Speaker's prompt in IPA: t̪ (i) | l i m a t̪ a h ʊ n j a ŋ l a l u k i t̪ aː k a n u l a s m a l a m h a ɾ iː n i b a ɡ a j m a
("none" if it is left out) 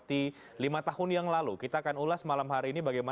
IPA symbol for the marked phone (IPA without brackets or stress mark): i